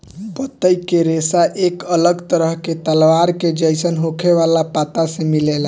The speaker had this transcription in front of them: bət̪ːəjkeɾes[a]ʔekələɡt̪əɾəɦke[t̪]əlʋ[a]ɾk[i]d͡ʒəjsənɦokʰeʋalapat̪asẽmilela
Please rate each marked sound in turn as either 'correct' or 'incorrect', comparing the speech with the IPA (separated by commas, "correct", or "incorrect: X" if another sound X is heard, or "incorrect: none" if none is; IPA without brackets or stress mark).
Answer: correct, correct, correct, incorrect: e